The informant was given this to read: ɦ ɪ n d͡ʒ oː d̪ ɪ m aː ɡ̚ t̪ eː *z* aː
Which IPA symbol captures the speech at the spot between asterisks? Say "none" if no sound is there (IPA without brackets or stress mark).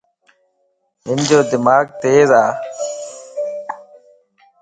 z